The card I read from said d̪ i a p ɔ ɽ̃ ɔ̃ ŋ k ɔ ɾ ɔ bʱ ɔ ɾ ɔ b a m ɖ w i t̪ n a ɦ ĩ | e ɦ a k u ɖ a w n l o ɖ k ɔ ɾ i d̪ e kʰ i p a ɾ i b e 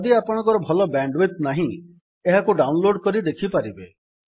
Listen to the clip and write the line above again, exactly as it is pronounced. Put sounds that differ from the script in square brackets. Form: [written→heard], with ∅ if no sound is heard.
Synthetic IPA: d̪ i a p ɔ ɽ̃ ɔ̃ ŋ k ɔ ɾ ɔ bʱ ɔ [ɾ→l] ɔ b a [m→ɳ] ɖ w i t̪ n a ɦ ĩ | e ɦ a k u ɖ a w n l o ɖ k ɔ ɾ i d̪ e kʰ i p a ɾ i b e